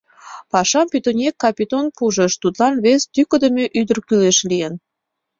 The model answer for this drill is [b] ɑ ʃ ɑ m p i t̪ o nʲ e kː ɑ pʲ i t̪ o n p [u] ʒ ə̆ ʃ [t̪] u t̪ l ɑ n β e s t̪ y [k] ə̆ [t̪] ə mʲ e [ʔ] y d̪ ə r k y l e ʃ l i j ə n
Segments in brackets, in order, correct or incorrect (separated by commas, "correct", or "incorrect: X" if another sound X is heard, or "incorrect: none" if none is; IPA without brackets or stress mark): incorrect: p, correct, correct, correct, incorrect: d̪, correct